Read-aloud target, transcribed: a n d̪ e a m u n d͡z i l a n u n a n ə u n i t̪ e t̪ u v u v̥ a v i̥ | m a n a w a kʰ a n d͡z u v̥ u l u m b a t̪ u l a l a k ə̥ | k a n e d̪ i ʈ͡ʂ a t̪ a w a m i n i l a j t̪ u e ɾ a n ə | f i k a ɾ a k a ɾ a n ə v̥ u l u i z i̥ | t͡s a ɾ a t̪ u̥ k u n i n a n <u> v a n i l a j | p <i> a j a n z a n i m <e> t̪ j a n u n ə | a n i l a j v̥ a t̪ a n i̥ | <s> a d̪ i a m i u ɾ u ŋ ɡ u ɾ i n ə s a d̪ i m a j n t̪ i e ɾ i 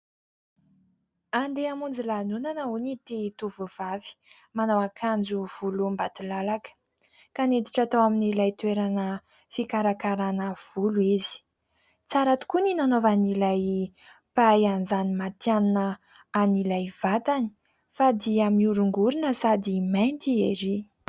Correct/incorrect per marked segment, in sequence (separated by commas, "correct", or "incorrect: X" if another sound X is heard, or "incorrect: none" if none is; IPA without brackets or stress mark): incorrect: o, incorrect: a, incorrect: a, incorrect: f